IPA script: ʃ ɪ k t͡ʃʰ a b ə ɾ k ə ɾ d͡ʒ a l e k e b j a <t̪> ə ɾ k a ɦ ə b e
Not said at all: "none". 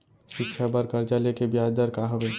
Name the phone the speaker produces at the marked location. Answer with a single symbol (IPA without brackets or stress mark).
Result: d̪